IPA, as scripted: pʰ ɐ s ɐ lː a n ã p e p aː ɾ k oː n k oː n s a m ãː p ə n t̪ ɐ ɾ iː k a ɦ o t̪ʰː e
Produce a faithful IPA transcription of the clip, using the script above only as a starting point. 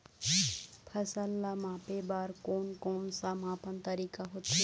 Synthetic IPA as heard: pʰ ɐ s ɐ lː a m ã p e b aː ɾ k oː n k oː n s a m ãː p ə n t̪ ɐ ɾ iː k a ɦ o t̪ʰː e